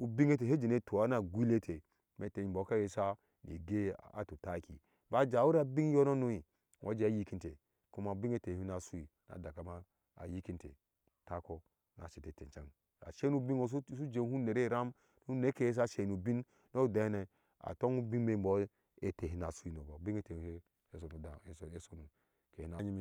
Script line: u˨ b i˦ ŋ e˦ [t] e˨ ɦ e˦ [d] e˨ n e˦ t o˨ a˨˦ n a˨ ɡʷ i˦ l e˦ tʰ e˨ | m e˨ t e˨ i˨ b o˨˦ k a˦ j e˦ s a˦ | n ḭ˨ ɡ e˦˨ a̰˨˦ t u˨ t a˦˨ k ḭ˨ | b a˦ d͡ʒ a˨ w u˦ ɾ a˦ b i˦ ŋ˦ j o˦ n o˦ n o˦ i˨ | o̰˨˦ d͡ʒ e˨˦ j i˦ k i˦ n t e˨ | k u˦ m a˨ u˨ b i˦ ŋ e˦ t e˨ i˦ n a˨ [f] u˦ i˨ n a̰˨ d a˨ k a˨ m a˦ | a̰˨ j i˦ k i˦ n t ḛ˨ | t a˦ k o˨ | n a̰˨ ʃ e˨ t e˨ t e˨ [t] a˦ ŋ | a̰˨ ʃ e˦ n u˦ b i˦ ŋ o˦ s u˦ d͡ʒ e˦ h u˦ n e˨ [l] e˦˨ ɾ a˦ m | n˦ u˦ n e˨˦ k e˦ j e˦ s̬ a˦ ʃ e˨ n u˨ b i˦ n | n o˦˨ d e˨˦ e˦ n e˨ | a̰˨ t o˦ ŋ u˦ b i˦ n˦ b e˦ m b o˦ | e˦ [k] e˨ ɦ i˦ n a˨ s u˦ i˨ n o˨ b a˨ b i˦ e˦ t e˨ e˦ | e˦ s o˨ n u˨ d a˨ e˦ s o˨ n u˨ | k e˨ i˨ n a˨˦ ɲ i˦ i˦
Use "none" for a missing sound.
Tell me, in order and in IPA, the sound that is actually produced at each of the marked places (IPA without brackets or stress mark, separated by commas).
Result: t, d͡ʒ, s, t͡ʃ, ɾ, t